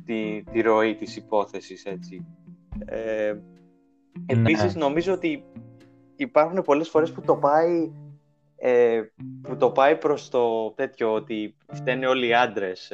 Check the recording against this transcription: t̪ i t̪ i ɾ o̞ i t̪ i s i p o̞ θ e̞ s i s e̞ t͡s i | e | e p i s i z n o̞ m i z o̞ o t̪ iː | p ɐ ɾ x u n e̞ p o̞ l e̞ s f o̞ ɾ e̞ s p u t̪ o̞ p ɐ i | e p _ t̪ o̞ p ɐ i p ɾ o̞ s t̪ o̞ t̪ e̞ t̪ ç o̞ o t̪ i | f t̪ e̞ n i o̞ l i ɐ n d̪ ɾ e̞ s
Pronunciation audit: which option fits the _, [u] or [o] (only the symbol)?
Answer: u